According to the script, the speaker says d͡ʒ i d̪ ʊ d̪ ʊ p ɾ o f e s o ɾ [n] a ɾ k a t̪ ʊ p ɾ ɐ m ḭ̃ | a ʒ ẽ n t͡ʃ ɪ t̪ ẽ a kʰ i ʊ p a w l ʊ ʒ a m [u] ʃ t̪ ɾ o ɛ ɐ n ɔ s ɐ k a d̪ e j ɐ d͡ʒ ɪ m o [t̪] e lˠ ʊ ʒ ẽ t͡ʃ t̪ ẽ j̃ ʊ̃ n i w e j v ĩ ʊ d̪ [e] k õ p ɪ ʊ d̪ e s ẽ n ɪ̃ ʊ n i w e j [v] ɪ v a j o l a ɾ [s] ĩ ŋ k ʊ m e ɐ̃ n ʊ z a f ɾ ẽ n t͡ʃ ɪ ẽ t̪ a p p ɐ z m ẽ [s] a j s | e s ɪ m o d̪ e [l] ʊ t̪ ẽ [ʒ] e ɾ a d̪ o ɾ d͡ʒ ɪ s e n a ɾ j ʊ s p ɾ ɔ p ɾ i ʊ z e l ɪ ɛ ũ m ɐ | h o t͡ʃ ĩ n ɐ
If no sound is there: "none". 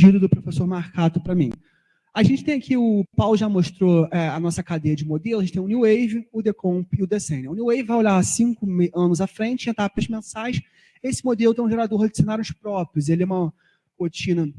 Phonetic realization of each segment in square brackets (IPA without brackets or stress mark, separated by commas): m, o, d̪, e, v, s, s, l, ʒ